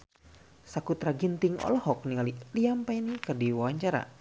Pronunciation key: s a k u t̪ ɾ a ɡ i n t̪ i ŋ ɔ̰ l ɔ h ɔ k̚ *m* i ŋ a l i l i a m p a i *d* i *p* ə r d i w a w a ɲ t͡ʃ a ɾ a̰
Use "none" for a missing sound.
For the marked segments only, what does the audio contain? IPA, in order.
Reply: n, n, k

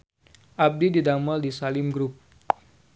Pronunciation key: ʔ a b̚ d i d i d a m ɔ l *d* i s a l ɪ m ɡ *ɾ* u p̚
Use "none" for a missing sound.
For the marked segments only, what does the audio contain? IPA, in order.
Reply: d, ɾ

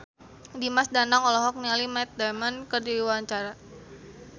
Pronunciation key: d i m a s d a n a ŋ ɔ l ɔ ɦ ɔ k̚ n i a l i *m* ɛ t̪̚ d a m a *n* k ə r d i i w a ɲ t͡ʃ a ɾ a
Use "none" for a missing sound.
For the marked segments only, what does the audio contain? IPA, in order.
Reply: m, n

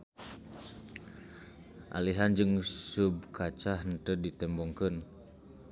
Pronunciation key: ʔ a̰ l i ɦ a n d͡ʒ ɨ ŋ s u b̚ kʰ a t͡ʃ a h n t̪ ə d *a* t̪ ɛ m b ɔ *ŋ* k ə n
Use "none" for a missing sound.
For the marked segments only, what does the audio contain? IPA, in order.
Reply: i, ŋ

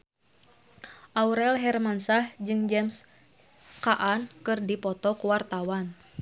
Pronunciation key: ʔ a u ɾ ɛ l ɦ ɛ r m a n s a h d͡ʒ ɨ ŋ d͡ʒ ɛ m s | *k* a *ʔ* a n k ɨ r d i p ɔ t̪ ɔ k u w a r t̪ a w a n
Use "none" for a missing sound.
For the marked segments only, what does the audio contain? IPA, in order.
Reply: k, ʔ

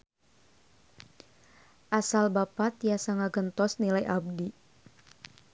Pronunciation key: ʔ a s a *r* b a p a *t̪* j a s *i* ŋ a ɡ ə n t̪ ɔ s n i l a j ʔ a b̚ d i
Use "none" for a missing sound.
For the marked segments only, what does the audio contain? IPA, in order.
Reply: l, t̪, a

